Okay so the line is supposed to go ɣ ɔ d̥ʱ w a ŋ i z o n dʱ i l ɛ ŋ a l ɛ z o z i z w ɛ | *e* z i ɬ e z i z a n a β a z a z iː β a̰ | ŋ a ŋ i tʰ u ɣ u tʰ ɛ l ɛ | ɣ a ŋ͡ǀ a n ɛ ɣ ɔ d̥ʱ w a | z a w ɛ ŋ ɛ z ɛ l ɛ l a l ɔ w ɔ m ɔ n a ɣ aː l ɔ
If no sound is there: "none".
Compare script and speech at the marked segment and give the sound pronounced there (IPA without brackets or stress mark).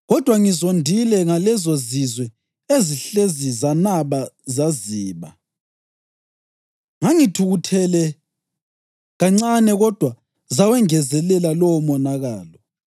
e